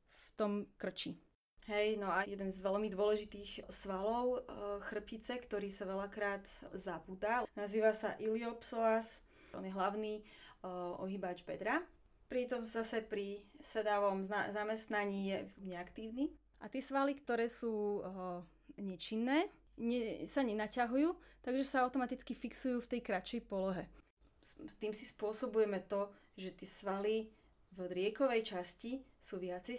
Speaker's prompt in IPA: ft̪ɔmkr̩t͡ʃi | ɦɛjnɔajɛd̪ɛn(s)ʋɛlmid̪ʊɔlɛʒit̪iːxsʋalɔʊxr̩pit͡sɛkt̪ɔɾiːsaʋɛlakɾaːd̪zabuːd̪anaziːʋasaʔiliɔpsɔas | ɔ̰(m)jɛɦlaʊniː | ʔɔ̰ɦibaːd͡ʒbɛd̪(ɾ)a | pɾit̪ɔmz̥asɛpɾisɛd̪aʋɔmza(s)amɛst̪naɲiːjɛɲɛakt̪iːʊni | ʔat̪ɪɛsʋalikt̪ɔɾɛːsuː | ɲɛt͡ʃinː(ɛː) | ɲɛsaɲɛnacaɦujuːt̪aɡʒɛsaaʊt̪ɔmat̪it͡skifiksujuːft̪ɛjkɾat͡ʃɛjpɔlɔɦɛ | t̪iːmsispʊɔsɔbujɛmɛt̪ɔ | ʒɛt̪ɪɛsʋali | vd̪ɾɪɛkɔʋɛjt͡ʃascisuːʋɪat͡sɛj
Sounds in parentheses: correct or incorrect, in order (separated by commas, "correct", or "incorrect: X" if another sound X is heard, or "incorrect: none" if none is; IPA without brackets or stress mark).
incorrect: z, incorrect: n, correct, incorrect: z, correct